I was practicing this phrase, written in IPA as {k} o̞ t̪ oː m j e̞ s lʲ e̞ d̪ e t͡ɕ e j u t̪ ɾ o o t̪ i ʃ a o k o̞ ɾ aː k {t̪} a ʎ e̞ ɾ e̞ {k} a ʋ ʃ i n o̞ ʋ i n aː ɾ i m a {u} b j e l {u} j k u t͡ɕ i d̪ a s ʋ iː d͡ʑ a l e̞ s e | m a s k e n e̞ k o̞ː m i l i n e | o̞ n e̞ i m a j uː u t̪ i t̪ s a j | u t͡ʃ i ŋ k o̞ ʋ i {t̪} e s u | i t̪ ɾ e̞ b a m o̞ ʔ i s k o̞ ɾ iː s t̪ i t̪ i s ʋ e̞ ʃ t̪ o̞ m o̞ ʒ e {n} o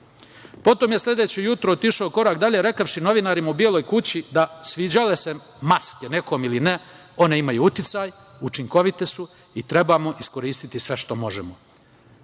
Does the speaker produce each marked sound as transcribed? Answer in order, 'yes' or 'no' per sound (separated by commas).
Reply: no, no, yes, yes, no, yes, no